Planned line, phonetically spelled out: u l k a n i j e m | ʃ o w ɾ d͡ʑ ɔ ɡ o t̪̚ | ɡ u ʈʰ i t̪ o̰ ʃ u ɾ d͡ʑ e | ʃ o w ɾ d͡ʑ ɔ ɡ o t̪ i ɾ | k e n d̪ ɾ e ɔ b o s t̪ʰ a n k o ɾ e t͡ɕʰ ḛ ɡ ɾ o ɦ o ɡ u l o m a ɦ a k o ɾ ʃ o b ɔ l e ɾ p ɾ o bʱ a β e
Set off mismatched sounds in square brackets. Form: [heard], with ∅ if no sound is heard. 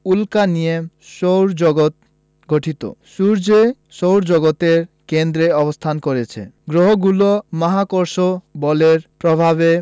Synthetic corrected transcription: u l k a n i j e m | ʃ o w ɾ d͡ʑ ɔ ɡ o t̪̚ | ɡ [o] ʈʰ i t̪ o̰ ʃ u ɾ d͡ʑ e | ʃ o w ɾ d͡ʑ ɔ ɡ o t̪ [e] ɾ | k e n d̪ ɾ e ɔ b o s t̪ʰ a n k o ɾ e t͡ɕʰ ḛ ɡ ɾ o ɦ o ɡ u l o m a ɦ a k o ɾ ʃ o b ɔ l e ɾ p ɾ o bʱ a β e